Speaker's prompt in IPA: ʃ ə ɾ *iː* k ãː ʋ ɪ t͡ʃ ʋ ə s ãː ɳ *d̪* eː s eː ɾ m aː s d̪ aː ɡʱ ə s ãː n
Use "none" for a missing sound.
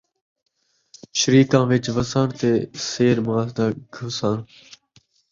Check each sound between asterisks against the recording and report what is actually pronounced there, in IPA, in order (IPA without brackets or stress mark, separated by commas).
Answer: iː, t̪